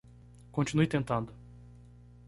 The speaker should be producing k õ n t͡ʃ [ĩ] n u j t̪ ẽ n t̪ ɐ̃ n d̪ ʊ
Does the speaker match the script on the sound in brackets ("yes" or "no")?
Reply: no